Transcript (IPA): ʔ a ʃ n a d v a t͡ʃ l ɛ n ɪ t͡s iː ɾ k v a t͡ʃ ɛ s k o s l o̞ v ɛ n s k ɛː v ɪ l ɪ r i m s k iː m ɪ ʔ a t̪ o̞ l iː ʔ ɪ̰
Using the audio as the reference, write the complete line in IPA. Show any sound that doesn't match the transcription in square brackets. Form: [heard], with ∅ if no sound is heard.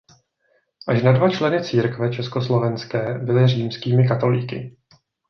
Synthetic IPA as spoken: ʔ a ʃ n a d v a t͡ʃ l ɛ n ɪ t͡s iː ɾ k v [ɛ] t͡ʃ ɛ s k o s l o̞ v ɛ n s k ɛː [b] ɪ l ɪ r [iː] m s k iː m ɪ [k] a t̪ o̞ l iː [k] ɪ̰